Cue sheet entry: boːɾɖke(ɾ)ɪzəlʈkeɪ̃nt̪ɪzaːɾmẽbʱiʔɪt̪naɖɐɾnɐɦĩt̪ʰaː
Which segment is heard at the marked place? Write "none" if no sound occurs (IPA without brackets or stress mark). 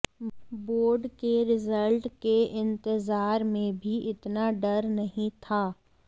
ɾ